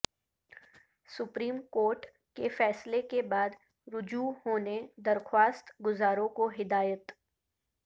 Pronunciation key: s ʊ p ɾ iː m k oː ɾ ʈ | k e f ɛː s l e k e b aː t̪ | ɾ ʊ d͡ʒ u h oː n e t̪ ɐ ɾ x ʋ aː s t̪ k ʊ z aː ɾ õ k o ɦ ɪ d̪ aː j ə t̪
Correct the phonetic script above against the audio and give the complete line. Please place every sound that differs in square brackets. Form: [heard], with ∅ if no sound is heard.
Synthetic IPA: s ʊ p ɾ iː m k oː ɾ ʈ | k e f ɛː s l e k e b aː [d̪] | ɾ ʊ d͡ʒ u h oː n e [d̪] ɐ ɾ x [w] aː s t̪ [ɡ] ʊ z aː ɾ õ k o ɦ ɪ d̪ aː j ə t̪